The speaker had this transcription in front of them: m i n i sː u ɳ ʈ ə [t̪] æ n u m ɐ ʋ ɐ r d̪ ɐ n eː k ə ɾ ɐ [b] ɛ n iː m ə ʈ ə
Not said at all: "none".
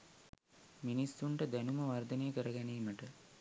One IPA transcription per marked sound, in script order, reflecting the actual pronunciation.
d̪, ɡ

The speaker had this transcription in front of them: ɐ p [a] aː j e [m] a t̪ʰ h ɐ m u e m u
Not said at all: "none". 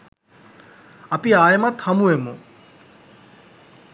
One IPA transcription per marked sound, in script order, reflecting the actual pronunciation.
i, m

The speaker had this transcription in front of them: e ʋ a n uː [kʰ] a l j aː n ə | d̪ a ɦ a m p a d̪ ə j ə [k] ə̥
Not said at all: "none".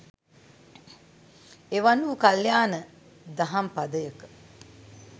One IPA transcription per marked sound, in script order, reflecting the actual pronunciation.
k, k

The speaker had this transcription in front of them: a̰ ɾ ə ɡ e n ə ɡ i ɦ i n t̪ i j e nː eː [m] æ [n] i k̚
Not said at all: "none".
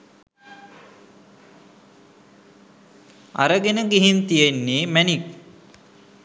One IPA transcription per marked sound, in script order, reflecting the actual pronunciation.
m, n

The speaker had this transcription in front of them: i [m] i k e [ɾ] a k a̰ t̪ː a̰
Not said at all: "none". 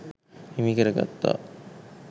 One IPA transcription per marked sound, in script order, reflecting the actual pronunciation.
m, ɾ

